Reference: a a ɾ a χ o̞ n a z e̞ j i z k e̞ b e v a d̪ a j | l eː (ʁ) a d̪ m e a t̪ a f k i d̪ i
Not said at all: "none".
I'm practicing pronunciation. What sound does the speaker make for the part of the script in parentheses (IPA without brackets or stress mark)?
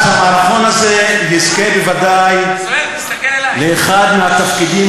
χ